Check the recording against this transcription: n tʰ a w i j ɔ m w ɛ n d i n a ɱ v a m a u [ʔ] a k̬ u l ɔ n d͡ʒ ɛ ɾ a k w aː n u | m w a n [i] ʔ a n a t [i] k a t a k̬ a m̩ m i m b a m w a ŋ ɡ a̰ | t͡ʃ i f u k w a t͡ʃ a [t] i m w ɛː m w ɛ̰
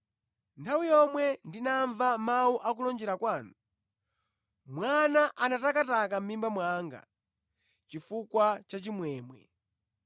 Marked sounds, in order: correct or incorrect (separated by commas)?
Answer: correct, incorrect, incorrect, incorrect